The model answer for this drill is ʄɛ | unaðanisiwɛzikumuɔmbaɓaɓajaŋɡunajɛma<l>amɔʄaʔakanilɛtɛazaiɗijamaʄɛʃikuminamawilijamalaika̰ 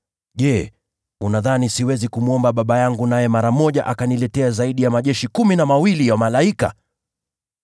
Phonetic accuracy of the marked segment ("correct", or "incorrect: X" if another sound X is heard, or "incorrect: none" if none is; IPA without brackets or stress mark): incorrect: ɾ